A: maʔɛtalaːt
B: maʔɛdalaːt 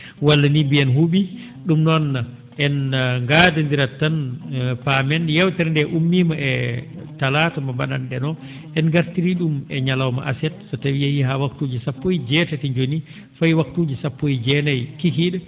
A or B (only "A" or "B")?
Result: A